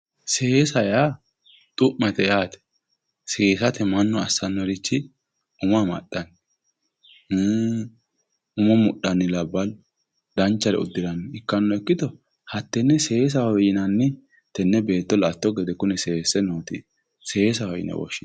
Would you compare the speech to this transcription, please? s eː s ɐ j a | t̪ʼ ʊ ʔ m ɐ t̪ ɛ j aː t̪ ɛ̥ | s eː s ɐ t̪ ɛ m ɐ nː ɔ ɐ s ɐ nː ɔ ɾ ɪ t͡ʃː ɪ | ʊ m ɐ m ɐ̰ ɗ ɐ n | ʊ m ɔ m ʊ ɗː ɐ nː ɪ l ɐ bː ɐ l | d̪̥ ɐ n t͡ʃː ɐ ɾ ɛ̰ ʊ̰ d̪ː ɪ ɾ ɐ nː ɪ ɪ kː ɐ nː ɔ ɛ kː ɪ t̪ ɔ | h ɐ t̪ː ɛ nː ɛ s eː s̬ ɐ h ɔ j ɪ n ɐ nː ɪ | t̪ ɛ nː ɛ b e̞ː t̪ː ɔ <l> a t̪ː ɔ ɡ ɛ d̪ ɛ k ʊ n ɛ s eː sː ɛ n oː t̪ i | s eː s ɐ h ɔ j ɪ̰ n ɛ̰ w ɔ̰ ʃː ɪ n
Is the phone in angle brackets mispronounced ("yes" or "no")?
no